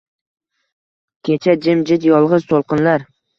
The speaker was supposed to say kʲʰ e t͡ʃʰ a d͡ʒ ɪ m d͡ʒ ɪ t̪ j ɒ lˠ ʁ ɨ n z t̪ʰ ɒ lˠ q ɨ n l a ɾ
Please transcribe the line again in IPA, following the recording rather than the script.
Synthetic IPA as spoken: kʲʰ e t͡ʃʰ a d͡ʒ ɪ m d͡ʒ ɪ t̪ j ɒ lˠ ʁ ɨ z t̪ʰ o lˠ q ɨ n l a ɾ